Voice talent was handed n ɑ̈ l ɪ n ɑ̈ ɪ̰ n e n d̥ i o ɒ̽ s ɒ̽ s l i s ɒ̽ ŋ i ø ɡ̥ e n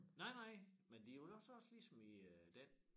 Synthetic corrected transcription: n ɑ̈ ɪ n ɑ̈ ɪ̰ m e n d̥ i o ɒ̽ s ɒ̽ s l i s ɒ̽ m i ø d̥ e n